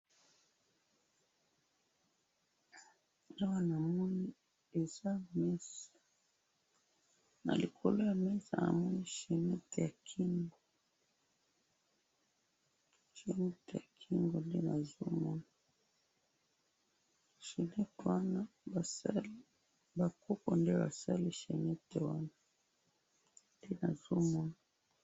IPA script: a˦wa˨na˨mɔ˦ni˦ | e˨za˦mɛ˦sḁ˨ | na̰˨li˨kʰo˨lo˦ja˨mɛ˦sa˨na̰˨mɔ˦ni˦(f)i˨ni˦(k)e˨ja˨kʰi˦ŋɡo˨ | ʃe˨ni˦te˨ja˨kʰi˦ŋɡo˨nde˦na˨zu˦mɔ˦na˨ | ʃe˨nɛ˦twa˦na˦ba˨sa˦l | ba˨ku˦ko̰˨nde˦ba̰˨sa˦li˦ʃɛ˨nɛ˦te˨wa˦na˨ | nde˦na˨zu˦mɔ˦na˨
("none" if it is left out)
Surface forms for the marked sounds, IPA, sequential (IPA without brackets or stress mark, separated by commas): ʃ, t